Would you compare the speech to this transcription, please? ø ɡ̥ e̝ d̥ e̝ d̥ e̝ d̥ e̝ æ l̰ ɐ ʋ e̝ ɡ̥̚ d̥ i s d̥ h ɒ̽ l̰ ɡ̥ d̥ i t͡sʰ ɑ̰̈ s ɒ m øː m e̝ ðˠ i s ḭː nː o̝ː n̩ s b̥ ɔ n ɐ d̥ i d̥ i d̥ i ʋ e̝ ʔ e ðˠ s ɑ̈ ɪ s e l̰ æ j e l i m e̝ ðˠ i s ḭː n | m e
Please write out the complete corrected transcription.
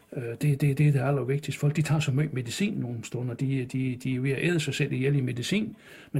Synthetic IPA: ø d̥ e̝ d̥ e̝ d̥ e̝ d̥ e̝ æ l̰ ɐ ʋ e̝ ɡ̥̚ d̥ i s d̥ f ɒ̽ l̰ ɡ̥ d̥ i t͡sʰ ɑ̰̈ s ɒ m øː m e̝ ðˠ i s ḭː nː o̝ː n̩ s d̥ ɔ n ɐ d̥ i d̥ i d̥ i ʋ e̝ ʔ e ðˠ s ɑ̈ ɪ s e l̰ i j e l i m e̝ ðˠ i s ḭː n | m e